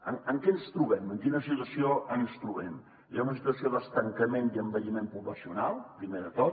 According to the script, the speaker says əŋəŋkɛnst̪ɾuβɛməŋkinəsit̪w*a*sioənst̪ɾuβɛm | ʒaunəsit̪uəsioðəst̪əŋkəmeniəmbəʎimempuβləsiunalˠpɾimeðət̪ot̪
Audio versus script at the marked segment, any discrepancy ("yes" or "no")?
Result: yes